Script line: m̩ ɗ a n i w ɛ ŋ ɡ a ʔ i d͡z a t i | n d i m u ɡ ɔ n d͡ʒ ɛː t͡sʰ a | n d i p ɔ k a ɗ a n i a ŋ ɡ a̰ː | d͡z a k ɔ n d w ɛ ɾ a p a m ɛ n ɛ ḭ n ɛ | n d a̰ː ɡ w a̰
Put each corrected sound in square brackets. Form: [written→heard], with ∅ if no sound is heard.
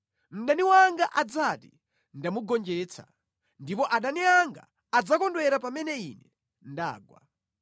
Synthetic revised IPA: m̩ ɗ a n i w [ɛ→a] ŋ ɡ a ʔ [i→a] d͡z a t i | n d [i→a] m u ɡ ɔ n d͡ʒ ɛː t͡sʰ a | n d i p ɔ [k→ʔ] a ɗ a n i a ŋ ɡ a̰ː | d͡z a k ɔ n d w ɛ ɾ a p a m ɛ n ɛ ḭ n ɛ | n d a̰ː ɡ w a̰